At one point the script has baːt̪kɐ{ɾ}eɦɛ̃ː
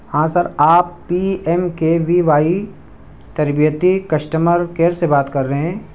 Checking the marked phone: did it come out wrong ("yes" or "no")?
yes